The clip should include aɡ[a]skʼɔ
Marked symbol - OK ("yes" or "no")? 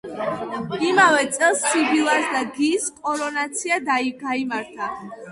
no